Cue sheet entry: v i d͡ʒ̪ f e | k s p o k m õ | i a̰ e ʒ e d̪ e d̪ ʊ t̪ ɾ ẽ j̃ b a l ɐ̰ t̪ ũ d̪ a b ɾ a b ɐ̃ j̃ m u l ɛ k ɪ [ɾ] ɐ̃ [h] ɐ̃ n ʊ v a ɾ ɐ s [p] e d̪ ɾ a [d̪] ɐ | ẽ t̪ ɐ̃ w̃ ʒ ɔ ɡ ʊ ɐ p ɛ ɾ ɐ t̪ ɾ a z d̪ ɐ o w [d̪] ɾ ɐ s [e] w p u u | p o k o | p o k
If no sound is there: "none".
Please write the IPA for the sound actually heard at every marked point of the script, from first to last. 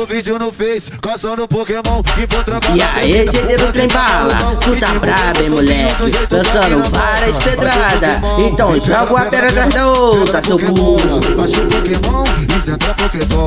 l, s, p, d̪, t̪, e

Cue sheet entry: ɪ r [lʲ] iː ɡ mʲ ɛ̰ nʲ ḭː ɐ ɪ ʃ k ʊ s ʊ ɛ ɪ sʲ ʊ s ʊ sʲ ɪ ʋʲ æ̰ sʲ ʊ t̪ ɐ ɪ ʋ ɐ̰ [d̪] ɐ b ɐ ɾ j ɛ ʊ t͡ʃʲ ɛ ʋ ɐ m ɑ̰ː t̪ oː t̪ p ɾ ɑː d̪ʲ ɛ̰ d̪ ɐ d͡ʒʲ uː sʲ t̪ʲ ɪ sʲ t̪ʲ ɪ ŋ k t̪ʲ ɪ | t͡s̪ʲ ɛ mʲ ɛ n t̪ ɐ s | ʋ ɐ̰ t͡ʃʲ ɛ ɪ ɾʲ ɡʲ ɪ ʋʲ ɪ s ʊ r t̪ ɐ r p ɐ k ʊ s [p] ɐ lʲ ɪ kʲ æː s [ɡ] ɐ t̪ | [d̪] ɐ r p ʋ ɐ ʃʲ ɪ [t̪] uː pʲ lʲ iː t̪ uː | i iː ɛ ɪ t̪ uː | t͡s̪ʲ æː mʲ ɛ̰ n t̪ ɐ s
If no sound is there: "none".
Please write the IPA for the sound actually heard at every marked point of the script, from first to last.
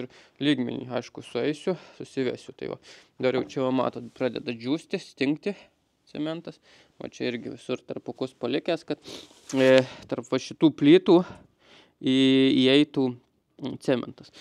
lʲ, d̪, p, k, t̪, t̪

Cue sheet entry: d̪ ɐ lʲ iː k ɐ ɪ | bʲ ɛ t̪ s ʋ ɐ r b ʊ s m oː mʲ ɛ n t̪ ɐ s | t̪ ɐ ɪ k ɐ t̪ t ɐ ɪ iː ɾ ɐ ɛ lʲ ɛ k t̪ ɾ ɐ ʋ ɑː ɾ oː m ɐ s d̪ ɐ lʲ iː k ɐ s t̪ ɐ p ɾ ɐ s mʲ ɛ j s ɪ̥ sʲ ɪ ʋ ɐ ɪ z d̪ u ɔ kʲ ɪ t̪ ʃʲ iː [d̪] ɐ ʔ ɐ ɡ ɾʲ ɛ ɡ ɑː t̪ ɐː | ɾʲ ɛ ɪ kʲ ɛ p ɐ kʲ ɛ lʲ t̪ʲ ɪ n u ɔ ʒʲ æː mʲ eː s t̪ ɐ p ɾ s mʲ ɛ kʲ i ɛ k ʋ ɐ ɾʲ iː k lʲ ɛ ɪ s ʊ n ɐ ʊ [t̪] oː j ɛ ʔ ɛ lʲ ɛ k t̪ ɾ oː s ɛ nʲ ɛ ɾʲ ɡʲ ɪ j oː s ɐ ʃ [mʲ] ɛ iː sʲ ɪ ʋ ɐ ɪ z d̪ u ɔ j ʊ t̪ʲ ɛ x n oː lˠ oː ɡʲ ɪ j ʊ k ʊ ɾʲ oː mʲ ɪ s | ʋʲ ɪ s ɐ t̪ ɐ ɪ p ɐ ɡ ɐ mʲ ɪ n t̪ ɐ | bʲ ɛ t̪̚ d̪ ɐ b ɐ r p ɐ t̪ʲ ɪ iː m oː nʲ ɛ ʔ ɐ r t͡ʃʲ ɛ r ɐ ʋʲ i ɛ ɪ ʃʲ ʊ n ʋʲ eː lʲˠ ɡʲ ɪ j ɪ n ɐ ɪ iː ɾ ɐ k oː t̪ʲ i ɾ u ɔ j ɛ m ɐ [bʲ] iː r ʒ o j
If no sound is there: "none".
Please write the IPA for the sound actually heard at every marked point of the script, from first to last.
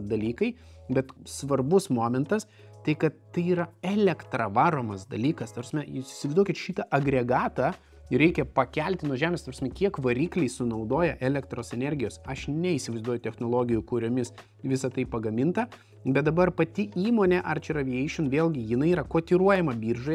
t̪, d̪, nʲ, bʲ

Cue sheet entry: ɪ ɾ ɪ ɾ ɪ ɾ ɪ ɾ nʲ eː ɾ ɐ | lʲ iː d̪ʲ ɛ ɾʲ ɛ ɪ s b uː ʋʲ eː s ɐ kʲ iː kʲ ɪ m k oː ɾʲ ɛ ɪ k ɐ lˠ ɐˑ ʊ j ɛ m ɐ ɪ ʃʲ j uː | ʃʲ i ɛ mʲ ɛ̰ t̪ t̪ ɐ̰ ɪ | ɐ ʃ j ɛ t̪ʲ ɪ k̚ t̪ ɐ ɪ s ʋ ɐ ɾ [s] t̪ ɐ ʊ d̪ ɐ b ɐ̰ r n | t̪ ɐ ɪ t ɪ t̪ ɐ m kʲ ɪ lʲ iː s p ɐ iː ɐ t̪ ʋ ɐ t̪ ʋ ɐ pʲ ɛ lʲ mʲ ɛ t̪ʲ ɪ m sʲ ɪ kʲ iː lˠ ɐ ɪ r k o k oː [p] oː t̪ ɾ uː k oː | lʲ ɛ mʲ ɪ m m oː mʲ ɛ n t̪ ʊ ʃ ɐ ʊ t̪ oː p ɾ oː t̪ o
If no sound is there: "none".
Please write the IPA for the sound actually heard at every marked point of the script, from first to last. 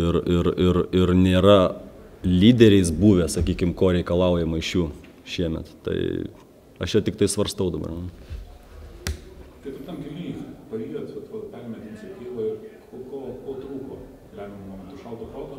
s, k

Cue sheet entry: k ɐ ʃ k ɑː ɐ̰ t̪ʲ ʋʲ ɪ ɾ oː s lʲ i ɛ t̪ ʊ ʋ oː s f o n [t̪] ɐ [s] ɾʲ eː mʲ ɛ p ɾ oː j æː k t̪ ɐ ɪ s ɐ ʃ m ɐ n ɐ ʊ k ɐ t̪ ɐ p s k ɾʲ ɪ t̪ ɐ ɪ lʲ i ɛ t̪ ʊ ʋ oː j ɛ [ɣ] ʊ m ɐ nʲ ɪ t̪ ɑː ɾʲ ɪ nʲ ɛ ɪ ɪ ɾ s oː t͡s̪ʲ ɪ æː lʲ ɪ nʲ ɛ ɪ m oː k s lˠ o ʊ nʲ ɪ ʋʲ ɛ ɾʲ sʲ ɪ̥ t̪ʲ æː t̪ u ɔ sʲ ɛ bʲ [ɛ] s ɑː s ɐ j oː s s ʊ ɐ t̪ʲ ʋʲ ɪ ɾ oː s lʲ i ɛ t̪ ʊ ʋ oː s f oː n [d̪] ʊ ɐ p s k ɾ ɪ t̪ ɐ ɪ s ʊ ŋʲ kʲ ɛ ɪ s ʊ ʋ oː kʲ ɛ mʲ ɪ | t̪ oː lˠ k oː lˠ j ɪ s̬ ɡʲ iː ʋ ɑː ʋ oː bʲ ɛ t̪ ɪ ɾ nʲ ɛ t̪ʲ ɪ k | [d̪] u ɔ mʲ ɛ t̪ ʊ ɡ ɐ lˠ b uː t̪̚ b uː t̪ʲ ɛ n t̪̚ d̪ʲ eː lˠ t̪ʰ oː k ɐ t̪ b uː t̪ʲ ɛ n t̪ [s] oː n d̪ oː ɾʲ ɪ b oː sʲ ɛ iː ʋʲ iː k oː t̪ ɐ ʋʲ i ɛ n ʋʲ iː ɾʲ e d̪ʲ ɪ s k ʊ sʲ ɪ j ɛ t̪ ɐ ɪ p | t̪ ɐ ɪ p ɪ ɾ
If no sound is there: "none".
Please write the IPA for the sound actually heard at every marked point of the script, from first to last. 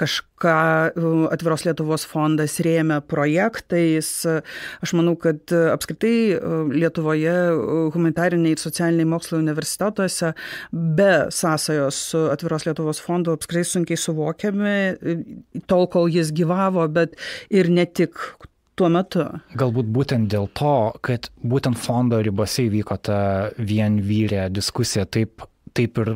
d̪, s, ɣ, ɛ, d̪, t̪, f

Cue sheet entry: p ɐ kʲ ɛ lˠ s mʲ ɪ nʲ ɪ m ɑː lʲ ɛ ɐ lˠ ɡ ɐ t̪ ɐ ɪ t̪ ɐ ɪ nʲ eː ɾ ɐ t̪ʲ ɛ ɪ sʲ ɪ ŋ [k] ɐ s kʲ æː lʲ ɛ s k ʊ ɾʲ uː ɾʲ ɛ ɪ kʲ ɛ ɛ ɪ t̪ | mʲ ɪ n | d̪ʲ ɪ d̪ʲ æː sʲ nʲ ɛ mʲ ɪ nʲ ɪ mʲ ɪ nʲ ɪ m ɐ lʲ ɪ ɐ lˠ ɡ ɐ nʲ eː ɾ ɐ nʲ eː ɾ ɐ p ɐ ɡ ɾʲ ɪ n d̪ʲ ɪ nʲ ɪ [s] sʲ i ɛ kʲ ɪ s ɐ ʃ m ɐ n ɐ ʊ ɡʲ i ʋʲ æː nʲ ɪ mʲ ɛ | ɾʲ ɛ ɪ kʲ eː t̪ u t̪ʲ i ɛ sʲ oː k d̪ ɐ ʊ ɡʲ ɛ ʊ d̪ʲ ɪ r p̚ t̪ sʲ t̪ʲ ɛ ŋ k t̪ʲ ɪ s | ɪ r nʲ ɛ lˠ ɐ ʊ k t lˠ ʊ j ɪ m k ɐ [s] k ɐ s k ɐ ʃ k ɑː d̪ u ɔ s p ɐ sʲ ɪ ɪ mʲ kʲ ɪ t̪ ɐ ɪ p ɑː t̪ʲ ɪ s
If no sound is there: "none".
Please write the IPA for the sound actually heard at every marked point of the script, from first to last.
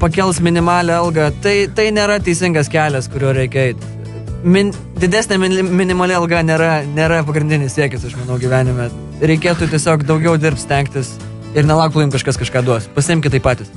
ɡ, s, ʃ

